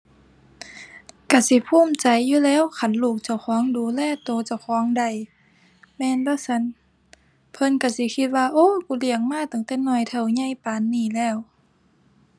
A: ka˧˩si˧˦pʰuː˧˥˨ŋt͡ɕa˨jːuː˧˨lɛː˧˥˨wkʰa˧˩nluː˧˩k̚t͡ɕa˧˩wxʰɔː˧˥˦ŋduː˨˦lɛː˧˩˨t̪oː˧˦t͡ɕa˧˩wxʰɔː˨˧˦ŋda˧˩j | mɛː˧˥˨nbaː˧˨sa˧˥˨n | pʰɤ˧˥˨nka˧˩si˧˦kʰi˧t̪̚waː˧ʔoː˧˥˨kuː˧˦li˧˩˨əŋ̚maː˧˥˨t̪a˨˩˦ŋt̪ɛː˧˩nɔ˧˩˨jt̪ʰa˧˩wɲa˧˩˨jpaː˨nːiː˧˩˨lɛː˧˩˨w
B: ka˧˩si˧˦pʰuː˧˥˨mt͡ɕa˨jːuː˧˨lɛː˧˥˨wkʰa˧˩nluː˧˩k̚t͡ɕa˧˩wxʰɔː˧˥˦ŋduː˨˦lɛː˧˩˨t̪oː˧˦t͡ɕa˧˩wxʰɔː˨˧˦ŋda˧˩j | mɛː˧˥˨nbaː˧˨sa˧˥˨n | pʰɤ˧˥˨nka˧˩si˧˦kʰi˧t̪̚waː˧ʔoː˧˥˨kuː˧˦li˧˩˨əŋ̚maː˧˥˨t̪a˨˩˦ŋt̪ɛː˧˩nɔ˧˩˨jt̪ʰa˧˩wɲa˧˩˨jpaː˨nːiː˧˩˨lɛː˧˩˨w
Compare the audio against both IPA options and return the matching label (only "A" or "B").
B